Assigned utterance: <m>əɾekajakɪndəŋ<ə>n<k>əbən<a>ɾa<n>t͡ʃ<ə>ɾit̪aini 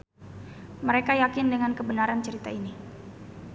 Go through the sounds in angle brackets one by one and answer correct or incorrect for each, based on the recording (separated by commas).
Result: correct, incorrect, correct, correct, correct, correct